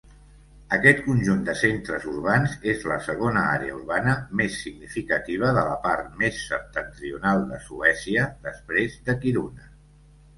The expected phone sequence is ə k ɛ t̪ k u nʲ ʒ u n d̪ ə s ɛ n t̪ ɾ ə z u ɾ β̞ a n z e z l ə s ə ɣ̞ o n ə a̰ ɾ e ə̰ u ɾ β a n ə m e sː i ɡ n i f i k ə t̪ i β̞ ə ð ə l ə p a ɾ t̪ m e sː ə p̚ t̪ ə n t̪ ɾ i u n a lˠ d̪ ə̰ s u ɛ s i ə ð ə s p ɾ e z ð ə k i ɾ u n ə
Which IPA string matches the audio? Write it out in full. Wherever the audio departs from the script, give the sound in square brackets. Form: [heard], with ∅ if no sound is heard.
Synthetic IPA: ə k ɛ t̪ k u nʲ ʒ u n d̪ ə s [e] n t̪ ɾ ə z u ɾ β̞ a n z e z l ə s ə ɣ̞ o n ə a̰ ɾ e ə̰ u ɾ β a n ə m e sː i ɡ n i f i k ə t̪ i β̞ ə ð ə l ə p a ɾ t̪ m e sː ə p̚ t̪ ə n t̪ ɾ i u n a lˠ d̪ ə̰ s u ɛ s i ə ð ə s p ɾ e z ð ə k i ɾ u n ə